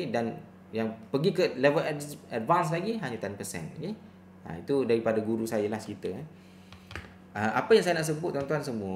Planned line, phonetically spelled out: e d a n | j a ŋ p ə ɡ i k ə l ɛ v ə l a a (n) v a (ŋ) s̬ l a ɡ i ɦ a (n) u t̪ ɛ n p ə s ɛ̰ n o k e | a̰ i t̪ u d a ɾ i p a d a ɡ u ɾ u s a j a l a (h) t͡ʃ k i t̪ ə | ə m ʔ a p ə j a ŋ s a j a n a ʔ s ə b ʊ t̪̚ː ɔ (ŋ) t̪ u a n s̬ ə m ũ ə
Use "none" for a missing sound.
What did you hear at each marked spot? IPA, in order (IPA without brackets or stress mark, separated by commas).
d, n, ɲ, h, n